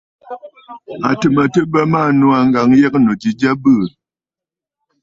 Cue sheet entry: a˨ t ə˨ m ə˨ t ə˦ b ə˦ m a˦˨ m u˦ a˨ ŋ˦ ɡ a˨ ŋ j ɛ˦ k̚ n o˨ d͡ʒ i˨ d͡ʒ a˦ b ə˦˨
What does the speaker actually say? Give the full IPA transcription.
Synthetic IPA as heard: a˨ t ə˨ m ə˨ t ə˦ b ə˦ m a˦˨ n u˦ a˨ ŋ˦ ɡ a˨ ŋ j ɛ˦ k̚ n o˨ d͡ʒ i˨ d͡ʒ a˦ b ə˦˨